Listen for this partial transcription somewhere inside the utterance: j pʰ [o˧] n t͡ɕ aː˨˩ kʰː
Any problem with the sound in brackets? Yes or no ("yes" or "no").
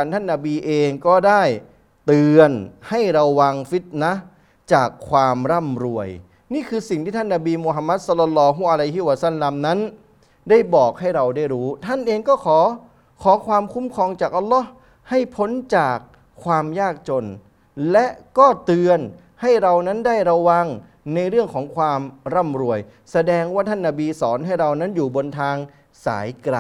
yes